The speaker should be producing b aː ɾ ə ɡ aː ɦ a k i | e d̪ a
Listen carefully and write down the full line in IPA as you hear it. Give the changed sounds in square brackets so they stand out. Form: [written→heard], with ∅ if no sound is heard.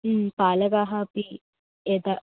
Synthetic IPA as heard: [b→p] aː [ɾ→l] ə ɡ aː ɦ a [k→p] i | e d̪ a